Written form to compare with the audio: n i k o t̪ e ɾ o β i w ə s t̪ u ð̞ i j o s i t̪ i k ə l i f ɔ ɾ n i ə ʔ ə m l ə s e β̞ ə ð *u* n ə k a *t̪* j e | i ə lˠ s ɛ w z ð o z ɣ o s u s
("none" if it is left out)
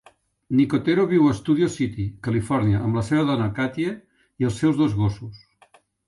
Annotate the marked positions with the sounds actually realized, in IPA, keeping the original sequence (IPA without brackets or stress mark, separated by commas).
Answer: ɔ, t̪